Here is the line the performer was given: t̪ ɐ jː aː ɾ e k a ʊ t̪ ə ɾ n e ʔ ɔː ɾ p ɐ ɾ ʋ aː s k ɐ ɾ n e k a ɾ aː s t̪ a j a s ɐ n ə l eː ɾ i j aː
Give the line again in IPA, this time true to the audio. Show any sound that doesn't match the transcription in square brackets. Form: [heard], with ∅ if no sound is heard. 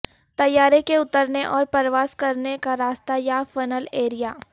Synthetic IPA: t̪ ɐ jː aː ɾ e k [e] ʊ t̪ ə ɾ n e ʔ ɔː ɾ p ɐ ɾ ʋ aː s k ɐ ɾ n e k a ɾ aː s t̪ a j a [f] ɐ n ə l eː ɾ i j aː

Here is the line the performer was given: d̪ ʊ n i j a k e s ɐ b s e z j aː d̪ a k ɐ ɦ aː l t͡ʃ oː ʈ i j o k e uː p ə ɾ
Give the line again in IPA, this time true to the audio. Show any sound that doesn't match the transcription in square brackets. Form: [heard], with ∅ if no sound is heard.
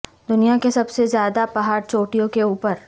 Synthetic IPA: d̪ ʊ n i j a k e s ɐ b s e z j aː d̪ a [p] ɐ ɦ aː [ɾ] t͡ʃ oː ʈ i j [õ] k e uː p ə ɾ

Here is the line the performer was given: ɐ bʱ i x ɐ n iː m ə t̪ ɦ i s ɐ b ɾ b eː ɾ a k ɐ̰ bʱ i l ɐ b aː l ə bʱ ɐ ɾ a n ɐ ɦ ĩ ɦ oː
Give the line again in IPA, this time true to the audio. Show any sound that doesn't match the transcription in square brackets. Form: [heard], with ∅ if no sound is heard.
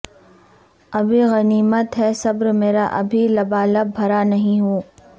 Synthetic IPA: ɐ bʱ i [ɣ] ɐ n iː m ə t̪ ɦ [ɛ] s ɐ b ɾ [m] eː ɾ a [ʔ] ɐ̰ bʱ i l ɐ b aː l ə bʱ ɐ ɾ a n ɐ ɦ ĩ ɦ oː

